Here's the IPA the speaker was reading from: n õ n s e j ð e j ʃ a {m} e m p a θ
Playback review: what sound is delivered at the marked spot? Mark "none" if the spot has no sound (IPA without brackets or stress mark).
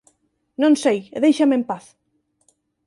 m